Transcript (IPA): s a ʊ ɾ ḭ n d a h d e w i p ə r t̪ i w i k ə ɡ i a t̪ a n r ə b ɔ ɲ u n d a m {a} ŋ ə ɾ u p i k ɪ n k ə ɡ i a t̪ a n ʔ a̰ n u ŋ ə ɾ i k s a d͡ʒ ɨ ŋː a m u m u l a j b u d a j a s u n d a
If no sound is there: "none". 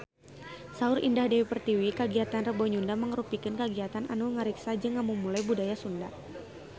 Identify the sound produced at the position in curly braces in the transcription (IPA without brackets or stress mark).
ə